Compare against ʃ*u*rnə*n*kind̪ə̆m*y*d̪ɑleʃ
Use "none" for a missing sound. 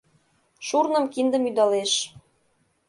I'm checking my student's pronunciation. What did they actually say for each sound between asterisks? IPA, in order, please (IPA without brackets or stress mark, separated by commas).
u, m, y